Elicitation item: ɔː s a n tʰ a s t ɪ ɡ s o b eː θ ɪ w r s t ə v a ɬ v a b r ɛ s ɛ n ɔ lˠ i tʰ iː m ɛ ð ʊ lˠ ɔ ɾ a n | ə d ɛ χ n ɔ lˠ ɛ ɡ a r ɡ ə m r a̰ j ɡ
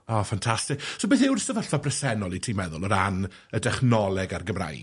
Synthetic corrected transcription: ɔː f a n tʰ a s t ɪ k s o b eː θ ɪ w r s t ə v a ɬ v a b r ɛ s ɛ n ɔ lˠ i tʰ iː m ɛ ð ʊ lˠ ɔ ɾ a n | ə d ɛ χ n ɔ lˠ ɛ ɡ a r ɡ ə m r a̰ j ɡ